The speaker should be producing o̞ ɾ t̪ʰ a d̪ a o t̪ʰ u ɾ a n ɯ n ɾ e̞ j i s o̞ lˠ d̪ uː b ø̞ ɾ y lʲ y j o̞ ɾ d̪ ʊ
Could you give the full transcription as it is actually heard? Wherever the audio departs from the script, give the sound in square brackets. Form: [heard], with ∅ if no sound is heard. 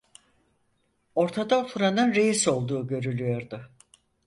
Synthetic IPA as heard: o̞ ɾ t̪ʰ a d̪ a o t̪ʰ u ɾ a n ɯ n ɾ e̞ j i s o̞ lˠ d̪ uː [ɟ] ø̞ ɾ y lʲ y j o̞ ɾ d̪ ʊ